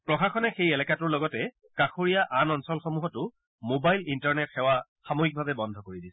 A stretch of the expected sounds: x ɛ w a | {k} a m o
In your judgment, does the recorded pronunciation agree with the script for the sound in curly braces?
no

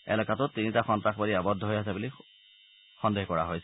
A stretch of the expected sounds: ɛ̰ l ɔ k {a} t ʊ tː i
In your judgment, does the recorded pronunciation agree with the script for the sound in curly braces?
yes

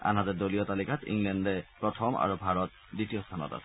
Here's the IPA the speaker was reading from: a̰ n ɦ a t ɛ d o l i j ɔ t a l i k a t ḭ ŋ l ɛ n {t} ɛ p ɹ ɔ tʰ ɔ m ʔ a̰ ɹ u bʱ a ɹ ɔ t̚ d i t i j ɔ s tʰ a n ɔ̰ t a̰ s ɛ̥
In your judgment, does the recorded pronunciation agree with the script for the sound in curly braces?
no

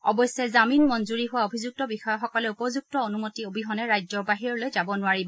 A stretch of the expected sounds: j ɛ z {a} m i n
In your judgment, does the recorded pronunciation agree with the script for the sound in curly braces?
yes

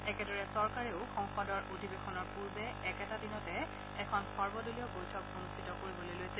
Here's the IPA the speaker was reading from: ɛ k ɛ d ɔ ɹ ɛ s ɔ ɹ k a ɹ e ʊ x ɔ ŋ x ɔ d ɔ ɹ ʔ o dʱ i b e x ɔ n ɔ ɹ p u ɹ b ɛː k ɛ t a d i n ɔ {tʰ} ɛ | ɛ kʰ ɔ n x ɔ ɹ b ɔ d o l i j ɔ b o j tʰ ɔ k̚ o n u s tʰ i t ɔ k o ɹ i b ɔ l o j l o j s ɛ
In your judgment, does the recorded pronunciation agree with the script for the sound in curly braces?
no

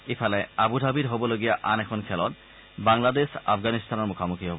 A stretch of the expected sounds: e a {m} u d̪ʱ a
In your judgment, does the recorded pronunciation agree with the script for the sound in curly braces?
no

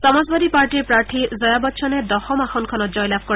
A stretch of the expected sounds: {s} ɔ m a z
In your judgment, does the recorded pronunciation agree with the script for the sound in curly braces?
yes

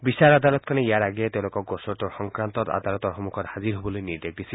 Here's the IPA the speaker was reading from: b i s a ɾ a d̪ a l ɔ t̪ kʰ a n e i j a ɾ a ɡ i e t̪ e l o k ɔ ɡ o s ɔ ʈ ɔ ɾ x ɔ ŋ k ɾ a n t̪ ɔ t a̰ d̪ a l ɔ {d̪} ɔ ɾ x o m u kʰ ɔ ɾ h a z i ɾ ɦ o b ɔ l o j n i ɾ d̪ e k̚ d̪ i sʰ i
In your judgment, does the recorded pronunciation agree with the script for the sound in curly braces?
no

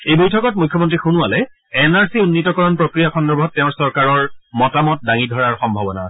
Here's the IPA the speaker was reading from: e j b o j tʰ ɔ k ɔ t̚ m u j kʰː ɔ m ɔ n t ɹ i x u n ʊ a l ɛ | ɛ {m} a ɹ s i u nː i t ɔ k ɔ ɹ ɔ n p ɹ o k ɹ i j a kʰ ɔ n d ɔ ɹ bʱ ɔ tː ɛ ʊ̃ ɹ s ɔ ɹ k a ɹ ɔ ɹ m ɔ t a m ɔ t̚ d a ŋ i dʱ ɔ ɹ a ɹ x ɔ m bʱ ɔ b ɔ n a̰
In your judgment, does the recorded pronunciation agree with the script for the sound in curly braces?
no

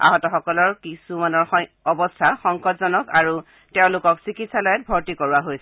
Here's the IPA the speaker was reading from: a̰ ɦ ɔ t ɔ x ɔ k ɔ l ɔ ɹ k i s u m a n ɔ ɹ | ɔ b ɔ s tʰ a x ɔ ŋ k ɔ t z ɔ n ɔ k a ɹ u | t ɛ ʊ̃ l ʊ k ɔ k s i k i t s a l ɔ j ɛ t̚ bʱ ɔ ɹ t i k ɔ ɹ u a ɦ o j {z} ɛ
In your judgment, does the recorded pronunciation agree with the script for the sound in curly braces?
no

